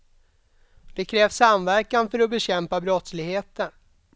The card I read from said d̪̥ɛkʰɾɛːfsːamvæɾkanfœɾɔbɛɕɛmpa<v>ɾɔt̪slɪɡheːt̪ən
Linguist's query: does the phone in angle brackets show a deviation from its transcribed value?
yes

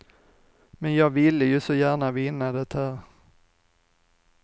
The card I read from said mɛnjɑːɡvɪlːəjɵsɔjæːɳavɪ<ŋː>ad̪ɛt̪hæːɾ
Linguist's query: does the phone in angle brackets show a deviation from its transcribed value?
yes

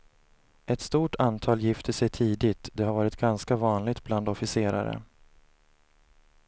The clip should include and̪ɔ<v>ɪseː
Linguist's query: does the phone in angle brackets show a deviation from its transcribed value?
yes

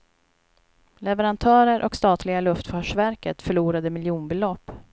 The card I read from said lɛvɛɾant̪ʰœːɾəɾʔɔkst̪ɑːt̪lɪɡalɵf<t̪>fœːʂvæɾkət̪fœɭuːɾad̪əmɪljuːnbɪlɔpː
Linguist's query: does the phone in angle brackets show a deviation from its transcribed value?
no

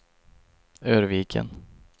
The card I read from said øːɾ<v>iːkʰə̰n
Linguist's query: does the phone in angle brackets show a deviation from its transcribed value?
no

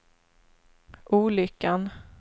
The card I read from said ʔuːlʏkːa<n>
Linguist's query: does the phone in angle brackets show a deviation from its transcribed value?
no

